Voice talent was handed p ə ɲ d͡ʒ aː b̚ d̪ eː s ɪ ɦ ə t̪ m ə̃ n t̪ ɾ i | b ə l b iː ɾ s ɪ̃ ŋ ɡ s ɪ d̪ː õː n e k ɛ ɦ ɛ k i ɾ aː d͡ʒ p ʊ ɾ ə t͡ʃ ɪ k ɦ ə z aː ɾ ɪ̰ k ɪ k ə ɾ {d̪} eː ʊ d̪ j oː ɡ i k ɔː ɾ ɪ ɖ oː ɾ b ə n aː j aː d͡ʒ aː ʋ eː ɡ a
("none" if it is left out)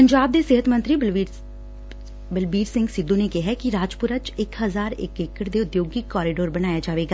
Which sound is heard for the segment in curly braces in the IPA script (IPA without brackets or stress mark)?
d̪